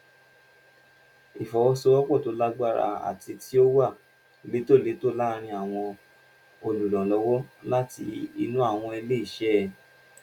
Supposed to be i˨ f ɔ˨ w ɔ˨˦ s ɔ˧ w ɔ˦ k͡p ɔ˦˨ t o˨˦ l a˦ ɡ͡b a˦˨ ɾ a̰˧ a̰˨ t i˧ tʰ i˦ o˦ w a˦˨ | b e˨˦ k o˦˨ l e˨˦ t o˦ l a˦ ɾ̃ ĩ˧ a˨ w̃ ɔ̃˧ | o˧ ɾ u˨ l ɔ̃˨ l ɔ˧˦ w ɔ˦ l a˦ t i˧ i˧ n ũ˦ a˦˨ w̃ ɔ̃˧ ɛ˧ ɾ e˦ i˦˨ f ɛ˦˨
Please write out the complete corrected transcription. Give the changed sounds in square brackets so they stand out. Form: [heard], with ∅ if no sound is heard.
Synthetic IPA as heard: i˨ f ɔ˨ w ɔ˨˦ s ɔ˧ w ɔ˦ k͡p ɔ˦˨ t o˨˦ l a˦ ɡ͡b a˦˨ ɾ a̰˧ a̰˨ t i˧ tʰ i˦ o˦ w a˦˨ | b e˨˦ [t] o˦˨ l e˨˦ t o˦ l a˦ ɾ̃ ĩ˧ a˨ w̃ ɔ̃˧ | o˧ [l] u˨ l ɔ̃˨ l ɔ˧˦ w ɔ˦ l a˦ t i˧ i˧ n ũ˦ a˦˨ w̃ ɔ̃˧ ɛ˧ [l] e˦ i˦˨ [ʃ] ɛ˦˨